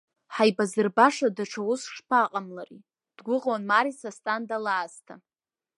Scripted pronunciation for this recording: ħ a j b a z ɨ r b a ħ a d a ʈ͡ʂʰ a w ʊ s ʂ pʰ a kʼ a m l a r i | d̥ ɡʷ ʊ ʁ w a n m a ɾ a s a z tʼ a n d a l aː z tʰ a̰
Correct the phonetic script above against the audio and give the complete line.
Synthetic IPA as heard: ħ a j b a z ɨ r b a ʂ a d a ʈ͡ʂʰ a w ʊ s ʂ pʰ a qʼ a m l a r i | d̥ ɡʷ ʊ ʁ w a n m a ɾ i s a s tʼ a n d a l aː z tʰ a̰